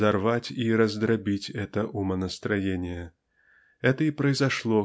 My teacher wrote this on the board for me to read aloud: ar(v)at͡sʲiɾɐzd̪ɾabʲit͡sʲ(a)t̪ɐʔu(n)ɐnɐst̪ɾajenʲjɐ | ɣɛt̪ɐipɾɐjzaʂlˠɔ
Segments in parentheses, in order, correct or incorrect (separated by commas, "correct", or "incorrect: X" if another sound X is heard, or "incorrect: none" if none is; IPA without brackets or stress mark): correct, incorrect: ɛ, incorrect: m